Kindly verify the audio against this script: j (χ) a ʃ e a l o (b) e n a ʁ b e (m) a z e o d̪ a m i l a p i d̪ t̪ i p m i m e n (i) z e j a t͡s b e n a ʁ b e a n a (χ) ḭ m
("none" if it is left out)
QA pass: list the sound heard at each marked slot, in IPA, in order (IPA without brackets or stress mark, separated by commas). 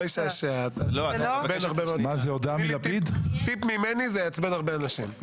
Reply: ʃ, b, m, i, ʃ